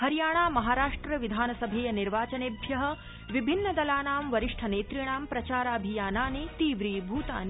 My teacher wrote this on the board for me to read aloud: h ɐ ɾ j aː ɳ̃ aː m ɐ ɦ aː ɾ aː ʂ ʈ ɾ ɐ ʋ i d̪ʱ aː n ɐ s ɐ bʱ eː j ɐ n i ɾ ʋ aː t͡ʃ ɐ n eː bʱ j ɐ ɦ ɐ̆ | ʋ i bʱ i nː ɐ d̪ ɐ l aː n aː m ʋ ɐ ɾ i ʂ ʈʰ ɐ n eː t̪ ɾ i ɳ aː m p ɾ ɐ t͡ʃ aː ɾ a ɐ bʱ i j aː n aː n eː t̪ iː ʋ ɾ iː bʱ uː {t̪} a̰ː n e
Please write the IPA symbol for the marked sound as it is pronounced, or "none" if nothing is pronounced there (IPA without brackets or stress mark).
t̪